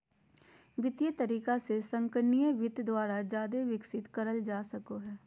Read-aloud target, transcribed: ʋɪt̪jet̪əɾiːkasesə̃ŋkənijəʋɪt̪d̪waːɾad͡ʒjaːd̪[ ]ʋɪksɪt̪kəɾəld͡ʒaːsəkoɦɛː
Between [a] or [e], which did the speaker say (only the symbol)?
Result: e